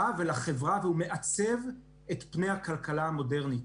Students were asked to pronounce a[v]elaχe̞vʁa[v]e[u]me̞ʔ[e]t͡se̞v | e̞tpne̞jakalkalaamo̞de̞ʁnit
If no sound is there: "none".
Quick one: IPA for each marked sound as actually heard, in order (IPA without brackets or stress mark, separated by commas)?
v, v, u, a